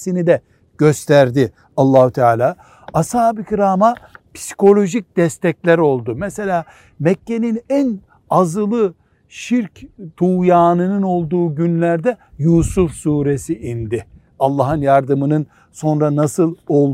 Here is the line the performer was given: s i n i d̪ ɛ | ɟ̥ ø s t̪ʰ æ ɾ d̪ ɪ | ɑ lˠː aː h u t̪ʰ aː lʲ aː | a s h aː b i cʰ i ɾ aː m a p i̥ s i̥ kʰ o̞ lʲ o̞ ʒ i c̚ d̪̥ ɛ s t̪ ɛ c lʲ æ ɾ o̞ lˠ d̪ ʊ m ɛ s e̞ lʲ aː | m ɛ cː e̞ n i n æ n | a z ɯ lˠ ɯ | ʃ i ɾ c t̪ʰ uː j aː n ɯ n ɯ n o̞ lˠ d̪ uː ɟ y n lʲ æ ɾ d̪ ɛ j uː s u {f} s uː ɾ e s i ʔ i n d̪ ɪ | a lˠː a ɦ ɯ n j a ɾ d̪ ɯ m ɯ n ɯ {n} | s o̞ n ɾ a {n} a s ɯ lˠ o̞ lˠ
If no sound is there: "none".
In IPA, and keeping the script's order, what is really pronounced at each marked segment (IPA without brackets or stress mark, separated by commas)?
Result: f, n, n